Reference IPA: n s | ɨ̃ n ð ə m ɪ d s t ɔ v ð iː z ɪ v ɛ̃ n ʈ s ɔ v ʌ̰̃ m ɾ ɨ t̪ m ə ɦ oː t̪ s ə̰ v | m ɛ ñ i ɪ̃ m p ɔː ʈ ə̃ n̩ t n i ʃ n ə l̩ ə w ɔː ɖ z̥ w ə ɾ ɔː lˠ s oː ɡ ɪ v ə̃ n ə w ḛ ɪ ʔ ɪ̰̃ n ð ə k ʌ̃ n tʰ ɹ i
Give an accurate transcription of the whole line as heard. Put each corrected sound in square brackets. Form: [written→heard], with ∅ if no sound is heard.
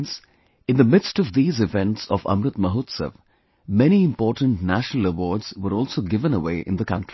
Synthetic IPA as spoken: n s | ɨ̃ n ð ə m ɪ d s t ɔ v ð iː z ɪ v ɛ̃ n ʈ s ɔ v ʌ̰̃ m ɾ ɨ t̪ m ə ɦ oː t̪ s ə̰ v | m ɛ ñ i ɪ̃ m p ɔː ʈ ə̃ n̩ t n [i→æ] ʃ n ə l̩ ə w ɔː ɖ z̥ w ə ɾ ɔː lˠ s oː ɡ ɪ v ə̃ n ə w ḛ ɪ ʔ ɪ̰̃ n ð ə k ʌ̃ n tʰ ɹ i

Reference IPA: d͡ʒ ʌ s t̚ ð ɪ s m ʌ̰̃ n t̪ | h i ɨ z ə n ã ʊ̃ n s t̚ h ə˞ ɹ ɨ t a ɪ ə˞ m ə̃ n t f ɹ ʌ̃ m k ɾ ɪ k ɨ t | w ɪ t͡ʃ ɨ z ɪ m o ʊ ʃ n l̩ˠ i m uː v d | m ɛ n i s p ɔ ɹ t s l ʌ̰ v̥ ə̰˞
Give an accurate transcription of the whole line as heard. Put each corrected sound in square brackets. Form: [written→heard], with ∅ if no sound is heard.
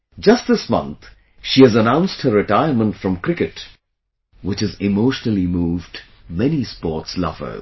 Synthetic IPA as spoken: d͡ʒ ʌ s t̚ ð ɪ s m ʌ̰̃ n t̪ | [h→ʃ] i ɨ z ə n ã ʊ̃ n s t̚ h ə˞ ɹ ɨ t a ɪ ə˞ m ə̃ n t f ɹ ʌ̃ m k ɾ ɪ k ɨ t | w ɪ t͡ʃ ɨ z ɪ m o ʊ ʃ n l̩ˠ i m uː v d | m ɛ n i s p ɔ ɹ t s l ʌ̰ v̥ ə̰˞

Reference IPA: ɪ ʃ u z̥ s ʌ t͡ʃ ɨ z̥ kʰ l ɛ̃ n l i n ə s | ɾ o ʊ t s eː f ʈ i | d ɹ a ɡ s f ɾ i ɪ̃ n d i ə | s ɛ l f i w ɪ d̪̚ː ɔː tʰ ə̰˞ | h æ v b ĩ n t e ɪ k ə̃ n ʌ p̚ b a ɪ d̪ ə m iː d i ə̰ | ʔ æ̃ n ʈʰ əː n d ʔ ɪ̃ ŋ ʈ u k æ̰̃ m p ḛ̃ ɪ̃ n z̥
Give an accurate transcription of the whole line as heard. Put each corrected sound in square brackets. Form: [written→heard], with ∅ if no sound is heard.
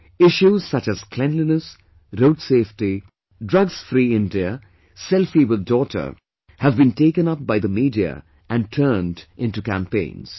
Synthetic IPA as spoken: ɪ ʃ u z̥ s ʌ t͡ʃ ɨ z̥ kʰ l ɛ̃ n l i n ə s | ɾ o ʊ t s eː f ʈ i | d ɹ [a→ʌ] ɡ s f ɾ i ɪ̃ n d i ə | s ɛ l f i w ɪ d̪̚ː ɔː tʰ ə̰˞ | h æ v b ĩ n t e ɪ k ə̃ n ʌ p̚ b a ɪ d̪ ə m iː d i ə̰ | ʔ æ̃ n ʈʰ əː n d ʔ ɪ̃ [ŋ→n] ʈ u k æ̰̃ m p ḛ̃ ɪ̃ n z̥

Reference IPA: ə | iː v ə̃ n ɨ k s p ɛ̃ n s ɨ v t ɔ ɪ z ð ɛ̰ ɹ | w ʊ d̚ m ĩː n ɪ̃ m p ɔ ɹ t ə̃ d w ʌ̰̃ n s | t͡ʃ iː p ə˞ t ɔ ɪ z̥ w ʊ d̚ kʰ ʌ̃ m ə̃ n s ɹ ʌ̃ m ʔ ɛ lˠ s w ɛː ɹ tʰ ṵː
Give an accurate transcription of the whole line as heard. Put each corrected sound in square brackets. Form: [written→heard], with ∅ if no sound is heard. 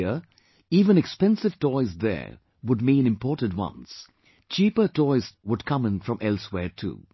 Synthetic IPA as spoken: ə | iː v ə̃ n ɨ k s p ɛ̃ n s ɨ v t ɔ ɪ z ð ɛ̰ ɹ | w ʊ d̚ m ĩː n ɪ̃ m p ɔ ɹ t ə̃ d w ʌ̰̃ n s | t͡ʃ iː p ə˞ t ɔ ɪ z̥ w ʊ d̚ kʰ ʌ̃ m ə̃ n [s→f] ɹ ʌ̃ m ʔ ɛ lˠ s w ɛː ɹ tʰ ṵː

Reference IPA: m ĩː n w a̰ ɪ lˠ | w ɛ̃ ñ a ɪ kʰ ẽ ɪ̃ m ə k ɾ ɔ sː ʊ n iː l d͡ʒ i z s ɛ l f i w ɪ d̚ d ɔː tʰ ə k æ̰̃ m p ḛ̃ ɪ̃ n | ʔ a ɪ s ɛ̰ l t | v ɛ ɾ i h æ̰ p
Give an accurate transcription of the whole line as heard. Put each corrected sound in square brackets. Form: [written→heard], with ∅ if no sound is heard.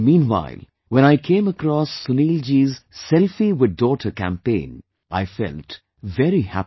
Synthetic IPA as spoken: m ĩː n w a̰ ɪ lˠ | w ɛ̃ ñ a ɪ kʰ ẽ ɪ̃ m ə k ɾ ɔ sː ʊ n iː l d͡ʒ i z s ɛ l f i w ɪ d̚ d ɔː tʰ ə k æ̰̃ m p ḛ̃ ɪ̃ n | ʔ a ɪ [s→f] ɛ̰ l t | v ɛ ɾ i h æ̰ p

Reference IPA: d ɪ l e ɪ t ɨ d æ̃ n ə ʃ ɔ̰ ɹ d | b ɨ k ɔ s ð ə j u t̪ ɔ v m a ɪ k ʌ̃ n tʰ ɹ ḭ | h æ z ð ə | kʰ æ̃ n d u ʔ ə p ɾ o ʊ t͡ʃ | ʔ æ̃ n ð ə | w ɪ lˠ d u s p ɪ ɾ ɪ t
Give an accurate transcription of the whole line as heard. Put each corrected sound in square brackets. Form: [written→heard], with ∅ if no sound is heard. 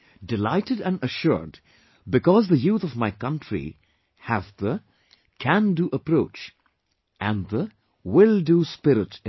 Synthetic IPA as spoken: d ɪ l [e→a] ɪ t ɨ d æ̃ n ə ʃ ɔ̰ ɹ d | b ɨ k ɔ [s→z] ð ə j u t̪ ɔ v m a ɪ k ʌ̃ n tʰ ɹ ḭ | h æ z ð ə | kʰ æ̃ n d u ʔ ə p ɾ o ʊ t͡ʃ | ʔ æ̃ n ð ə | w ɪ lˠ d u s p ɪ ɾ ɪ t

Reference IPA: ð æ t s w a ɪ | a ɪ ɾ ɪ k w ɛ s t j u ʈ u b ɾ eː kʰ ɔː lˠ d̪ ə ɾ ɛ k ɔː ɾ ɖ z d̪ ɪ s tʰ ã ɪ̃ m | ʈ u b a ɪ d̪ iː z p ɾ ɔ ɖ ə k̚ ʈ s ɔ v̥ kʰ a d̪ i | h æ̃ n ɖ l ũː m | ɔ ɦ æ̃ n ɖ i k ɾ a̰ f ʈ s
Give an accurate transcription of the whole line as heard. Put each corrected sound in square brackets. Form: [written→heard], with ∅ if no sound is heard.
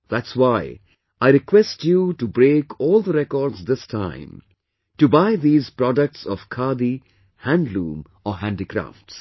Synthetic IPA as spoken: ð æ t s w a ɪ | a ɪ ɾ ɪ k w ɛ s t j u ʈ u b ɾ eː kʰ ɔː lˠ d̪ ə ɾ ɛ k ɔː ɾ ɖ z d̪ ɪ s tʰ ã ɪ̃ m | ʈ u b a ɪ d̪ iː z p ɾ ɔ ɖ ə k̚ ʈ s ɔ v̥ kʰ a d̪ i | h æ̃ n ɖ l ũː m | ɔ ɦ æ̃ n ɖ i k ɾ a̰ f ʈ s

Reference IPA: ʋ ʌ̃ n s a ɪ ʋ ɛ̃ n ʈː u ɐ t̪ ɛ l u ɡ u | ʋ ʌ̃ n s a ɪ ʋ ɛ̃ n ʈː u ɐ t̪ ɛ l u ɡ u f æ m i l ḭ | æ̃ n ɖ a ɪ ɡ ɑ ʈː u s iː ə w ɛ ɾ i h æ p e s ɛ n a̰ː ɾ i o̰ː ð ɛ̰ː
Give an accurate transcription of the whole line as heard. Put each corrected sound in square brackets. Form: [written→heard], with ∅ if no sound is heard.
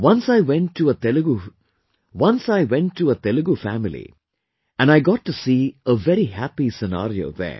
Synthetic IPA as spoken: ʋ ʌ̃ n s a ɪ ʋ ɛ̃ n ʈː u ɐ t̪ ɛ l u ɡ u | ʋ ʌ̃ n s a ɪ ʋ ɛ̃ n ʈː u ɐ t̪ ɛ l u ɡ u f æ m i l ḭ | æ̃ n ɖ a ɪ ɡ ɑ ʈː u s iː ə [w→ʋ] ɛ ɾ i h æ p [e→i] s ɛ n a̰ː ɾ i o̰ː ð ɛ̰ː

